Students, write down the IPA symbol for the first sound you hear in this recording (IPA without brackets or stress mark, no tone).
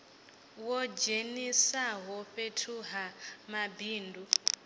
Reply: w